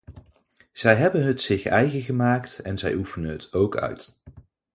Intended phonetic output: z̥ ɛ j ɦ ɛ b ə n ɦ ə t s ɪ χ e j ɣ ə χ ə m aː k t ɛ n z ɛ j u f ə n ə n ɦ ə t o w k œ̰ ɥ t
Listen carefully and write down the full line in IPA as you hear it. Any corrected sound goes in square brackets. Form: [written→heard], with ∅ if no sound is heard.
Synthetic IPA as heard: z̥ ɛ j ɦ ɛ b ə n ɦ ə t s ɪ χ [e→ɛ] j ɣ ə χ ə m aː k t ɛ n z ɛ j u f ə n ə n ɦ ə t o w k œ̰ ɥ t